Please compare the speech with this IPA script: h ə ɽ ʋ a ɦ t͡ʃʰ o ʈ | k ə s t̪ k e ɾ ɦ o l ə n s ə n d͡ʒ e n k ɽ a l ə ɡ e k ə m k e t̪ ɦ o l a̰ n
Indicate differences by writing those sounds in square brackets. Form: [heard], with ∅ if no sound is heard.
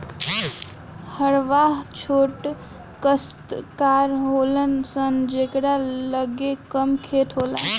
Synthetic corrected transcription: h ə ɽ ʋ a ɦ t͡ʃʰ o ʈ | k ə s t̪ k [a] ɾ ɦ o l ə n s ə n d͡ʒ e [∅] k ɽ a l ə ɡ e k ə m [kʰ] e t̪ ɦ o l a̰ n